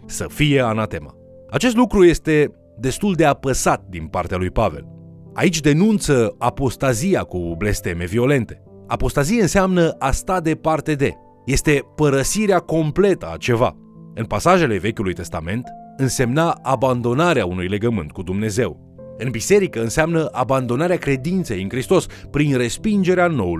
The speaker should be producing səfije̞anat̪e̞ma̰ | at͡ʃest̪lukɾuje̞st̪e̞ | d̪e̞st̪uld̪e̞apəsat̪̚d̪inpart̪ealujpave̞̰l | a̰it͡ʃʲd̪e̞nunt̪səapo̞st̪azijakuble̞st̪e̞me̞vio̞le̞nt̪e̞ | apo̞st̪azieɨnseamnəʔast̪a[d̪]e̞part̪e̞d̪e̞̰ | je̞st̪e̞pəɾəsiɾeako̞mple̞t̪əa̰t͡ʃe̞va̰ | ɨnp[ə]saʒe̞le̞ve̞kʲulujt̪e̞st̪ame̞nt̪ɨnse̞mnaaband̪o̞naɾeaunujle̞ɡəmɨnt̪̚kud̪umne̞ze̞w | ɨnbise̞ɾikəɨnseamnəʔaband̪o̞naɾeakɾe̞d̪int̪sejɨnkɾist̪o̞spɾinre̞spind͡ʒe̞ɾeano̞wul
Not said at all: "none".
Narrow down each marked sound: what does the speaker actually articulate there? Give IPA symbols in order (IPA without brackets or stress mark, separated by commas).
d̪, a